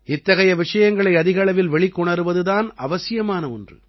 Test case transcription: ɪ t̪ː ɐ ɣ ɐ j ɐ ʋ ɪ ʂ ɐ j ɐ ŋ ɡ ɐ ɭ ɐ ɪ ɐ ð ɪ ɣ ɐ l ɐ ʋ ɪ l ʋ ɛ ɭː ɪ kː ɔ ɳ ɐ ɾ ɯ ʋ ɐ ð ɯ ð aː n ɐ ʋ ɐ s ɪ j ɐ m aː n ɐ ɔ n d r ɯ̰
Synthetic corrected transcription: ɪ t̪ː ɐ ɣ ɐ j ɐ ʋ ɪ ʂ ɐ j ɐ ŋ ɡ ɐ ɭ ɐ ɪ ɐ ð ɪ ɣ ɐ ɭ ɐ ʋ ɪ l ʋ ɛ ɭ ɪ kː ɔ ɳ ɐ ɾ ɯ ʋ ɐ ð ɯ ð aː n ɐ ʋ ɐ s ɪ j ɐ m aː n ɐ ɔ n d r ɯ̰